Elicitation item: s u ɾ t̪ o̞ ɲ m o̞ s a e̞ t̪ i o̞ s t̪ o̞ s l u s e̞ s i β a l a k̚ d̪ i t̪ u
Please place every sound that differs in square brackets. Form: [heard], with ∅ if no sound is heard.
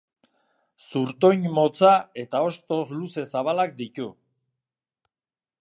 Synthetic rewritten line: s u ɾ t̪ o̞ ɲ m o̞ [t͡s] a e̞ t̪ [a] o̞ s t̪ o̞ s l u s e̞ s [a] β a l a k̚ d̪ i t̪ u